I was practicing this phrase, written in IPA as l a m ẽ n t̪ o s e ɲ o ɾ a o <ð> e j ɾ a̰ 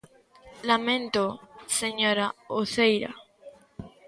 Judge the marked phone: incorrect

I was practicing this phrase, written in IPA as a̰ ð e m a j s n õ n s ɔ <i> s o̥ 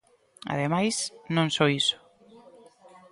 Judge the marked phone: correct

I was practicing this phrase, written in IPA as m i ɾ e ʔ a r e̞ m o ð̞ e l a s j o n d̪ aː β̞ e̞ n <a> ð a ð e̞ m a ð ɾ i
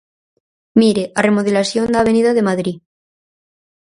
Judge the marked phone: incorrect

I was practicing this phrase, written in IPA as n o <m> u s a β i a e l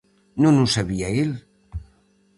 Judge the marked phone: incorrect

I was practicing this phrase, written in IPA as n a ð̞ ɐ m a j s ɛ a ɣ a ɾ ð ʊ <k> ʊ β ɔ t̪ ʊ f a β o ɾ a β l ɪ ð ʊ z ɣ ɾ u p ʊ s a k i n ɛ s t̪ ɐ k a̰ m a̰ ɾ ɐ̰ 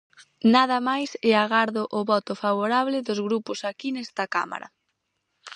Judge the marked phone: incorrect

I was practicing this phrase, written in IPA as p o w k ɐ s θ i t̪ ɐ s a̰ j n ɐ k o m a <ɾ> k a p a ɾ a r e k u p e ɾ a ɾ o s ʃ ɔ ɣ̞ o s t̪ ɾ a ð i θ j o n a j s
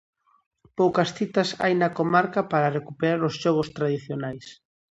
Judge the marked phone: correct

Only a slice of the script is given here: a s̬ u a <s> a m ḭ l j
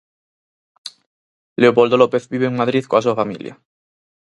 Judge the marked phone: incorrect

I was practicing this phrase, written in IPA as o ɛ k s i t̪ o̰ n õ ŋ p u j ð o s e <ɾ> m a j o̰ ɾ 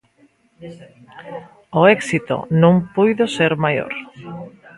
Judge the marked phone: correct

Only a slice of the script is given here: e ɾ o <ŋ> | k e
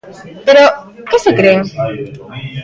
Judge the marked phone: incorrect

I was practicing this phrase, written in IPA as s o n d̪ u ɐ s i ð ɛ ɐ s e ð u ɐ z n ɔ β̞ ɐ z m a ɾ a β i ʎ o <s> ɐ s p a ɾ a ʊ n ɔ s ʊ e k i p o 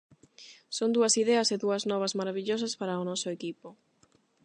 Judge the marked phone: correct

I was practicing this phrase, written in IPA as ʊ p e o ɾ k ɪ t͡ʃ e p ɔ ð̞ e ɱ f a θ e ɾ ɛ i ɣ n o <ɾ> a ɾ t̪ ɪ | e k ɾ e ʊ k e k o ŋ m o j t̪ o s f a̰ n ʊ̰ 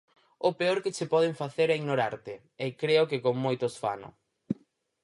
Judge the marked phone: correct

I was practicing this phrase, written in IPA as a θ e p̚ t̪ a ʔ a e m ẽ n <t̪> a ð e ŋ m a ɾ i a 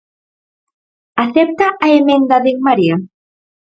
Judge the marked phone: incorrect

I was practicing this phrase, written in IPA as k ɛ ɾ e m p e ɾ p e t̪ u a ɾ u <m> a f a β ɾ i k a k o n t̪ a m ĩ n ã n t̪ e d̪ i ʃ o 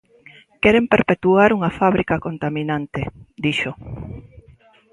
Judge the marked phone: incorrect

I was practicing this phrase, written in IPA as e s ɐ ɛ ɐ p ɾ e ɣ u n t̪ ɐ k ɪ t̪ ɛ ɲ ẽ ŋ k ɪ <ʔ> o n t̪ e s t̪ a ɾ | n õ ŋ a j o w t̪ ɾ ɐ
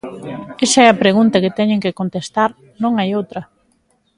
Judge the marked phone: incorrect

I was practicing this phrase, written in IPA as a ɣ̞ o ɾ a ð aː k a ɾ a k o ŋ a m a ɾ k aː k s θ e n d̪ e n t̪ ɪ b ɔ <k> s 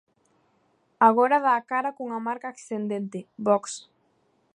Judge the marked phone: correct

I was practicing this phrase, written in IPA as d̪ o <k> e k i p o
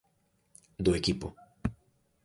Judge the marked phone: incorrect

